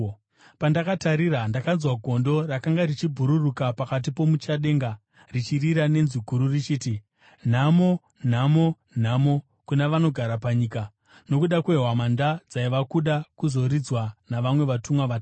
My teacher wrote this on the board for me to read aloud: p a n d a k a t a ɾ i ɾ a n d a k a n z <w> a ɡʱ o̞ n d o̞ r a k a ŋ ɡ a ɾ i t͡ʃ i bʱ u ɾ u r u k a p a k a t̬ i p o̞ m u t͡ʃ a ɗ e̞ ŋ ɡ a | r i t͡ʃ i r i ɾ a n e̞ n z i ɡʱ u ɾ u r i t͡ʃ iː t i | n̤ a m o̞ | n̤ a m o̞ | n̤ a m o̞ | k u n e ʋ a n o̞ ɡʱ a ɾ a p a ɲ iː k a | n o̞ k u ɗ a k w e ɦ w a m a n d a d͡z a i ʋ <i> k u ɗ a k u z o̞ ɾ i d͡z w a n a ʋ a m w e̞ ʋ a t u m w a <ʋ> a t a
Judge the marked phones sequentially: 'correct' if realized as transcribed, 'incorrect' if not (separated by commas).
correct, incorrect, correct